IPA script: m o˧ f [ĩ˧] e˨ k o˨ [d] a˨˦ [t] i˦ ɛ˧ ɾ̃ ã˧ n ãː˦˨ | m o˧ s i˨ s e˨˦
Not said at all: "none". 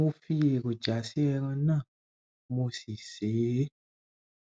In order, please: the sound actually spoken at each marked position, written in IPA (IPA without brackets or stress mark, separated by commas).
i˧, d͡ʒ, s